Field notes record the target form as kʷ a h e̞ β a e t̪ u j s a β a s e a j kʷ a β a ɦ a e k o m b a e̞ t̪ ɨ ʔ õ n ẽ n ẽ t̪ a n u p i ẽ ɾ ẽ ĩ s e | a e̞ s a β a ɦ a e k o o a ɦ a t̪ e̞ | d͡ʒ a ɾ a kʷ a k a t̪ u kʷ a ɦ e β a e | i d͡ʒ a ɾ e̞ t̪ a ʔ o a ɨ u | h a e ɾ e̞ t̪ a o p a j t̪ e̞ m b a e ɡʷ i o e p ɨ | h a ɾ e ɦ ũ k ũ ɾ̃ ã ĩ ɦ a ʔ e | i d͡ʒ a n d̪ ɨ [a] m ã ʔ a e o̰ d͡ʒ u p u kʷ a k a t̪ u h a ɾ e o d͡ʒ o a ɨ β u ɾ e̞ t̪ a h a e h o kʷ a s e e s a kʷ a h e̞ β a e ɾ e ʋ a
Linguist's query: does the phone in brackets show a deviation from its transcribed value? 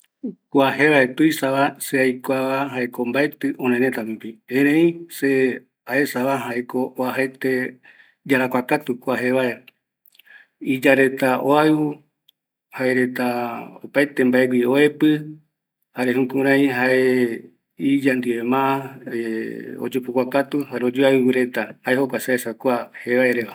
yes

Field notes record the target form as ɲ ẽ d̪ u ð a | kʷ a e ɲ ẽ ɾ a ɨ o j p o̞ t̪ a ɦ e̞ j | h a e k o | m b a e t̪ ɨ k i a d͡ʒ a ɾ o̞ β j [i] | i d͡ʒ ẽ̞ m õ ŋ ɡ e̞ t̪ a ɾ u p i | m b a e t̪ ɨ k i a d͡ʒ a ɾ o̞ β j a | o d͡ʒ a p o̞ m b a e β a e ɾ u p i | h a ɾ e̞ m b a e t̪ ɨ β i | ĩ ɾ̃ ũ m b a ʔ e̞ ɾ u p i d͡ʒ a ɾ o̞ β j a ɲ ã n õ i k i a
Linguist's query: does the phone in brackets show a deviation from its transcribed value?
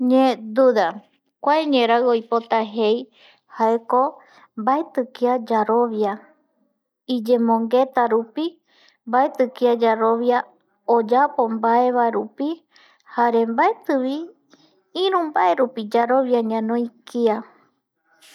yes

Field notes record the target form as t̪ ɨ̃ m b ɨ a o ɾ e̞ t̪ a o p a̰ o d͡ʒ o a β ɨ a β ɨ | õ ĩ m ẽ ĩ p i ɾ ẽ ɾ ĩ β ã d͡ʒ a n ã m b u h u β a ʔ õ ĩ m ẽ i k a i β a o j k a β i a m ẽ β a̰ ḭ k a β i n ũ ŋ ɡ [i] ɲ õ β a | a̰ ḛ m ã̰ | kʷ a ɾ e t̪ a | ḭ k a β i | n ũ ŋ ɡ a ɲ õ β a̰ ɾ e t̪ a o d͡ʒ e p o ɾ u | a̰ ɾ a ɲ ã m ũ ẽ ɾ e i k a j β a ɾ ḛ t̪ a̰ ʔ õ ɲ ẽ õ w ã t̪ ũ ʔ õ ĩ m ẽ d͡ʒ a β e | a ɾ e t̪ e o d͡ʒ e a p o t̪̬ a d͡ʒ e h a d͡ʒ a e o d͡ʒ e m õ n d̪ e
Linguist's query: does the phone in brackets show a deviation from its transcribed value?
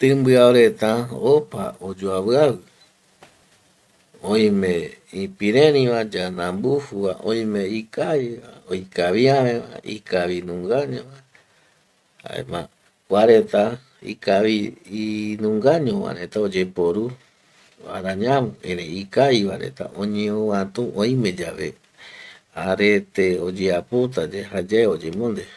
yes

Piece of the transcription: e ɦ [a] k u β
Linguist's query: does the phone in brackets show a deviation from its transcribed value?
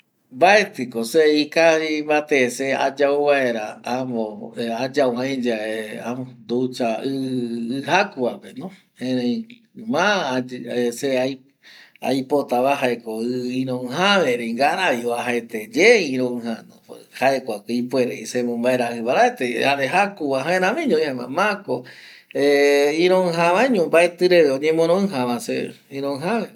no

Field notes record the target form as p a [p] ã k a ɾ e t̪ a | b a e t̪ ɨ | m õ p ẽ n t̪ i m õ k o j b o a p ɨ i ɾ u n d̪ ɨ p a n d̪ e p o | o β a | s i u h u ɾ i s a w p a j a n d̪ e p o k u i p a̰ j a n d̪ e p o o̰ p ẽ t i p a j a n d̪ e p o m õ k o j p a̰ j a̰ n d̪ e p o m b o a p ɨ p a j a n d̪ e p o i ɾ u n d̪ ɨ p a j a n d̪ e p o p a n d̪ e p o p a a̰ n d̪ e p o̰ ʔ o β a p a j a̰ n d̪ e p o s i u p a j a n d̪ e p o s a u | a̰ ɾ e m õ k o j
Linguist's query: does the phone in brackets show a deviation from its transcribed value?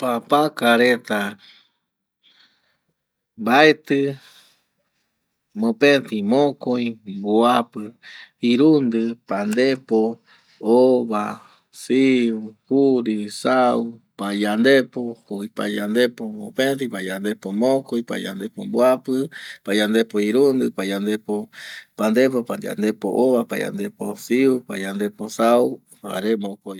no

